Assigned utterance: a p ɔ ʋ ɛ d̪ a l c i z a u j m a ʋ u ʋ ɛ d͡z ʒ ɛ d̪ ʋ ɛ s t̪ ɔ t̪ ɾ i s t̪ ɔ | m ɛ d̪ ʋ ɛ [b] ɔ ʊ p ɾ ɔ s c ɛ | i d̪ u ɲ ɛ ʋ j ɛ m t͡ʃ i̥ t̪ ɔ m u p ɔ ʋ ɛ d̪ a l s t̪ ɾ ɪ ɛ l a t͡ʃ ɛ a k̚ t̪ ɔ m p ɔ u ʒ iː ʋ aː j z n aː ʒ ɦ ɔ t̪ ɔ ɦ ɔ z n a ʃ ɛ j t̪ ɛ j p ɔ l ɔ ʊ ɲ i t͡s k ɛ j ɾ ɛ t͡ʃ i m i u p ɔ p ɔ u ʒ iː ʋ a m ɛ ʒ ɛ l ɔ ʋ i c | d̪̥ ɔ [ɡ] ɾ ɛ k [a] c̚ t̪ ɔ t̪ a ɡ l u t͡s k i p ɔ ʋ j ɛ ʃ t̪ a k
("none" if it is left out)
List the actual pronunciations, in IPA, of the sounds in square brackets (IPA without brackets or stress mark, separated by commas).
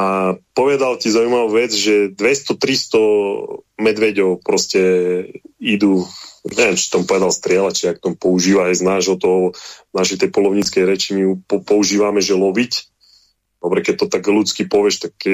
ɟ, b, ɛ